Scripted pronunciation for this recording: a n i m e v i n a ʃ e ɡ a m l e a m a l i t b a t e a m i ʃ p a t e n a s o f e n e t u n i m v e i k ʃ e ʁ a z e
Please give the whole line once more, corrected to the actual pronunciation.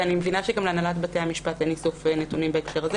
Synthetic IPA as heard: a n i m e v i n a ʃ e ɡ a m l e a n a l a t b a t e a m i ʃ p a t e n i s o f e n e t u n i m b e e k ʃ e ʁ a z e

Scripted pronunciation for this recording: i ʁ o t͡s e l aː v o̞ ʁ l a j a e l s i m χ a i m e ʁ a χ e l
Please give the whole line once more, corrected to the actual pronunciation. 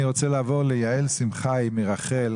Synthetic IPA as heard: i ʁ o t͡s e l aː v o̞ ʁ l e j a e l s i m χ a j m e ʁ a χ e l

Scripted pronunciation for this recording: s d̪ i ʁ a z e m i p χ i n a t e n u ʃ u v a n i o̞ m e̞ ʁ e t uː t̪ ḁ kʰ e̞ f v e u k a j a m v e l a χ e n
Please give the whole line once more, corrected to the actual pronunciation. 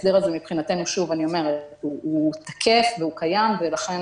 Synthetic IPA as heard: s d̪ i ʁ a z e m i p χ i n a t e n u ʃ u v a n i o̞ m e̞ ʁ e t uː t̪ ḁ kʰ e̞ f v e u k a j a m v e l a χ e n

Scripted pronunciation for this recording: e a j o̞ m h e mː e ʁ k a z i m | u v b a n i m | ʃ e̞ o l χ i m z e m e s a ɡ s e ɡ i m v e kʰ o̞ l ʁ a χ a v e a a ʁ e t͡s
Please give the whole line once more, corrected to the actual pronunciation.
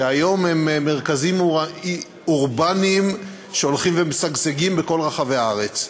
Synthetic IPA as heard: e a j o̞ m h e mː e ʁ k a z i m | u ʁ b a n i m | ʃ e̞ o l χ i m v e m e s a ɡ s e ɡ i m b e k o̞ l ʁ a χ a v e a a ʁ e t͡s

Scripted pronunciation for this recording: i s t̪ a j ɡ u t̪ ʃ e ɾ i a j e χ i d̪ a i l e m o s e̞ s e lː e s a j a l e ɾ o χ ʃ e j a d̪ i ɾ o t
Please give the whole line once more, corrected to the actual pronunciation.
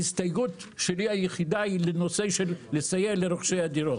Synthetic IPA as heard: i s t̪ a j ɡ u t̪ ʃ e l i a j e χ i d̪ a i l e n o s e̞ ʃ e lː e s a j e l e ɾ o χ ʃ e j a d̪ i ɾ o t

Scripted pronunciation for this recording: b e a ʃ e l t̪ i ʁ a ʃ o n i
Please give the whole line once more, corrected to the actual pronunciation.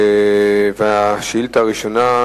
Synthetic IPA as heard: v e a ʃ i l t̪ a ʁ i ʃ o n a

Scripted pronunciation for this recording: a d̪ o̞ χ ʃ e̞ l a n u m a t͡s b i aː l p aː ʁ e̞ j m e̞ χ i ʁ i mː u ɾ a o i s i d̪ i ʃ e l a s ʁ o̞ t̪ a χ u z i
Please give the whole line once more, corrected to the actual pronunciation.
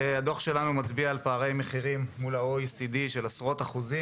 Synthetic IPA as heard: a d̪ o̞ χ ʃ e̞ l a n u m a t͡s b i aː l p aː ʁ e̞ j m e̞ χ i ʁ i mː u l a o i s i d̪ i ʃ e l a s ʁ o̞ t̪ a χ u z i

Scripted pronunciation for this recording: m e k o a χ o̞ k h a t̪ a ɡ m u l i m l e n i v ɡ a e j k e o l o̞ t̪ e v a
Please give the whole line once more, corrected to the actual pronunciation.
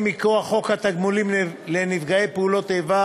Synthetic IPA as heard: m i k o a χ o̞ k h a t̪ a ɡ m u l i m l e n i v ɡ a e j p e u l o̞ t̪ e v a

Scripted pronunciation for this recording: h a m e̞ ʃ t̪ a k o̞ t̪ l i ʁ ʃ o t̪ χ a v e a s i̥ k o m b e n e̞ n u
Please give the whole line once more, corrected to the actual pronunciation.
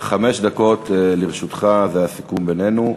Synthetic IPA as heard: χ a m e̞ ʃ d̪ a k o̞ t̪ l i ʁ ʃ u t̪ χ a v e a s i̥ k u m b e n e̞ n u

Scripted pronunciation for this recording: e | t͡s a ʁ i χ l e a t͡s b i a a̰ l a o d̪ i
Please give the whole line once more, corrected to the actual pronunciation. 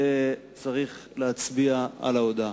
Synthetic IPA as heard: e | t͡s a ʁ i χ l e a t͡s b i a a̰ l a o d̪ a

